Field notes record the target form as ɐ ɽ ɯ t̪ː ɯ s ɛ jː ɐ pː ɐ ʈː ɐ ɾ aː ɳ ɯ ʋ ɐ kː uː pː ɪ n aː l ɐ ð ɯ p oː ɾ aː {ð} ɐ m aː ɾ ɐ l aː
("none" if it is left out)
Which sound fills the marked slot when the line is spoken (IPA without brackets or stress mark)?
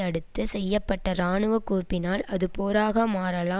ɣ